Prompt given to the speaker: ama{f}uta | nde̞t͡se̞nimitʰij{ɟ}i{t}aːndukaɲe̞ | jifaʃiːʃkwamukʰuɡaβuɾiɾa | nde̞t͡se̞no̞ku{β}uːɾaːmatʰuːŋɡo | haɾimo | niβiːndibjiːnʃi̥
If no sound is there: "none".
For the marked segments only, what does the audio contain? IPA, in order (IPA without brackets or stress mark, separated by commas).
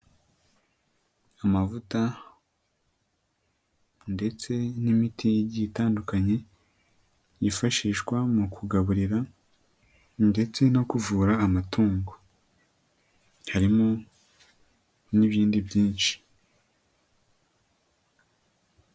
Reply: v, ɟ, t, v